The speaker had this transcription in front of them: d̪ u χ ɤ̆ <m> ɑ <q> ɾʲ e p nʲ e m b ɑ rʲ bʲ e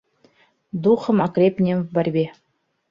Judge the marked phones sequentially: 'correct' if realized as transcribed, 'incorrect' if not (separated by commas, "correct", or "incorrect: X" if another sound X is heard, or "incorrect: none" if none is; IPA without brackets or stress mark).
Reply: correct, incorrect: k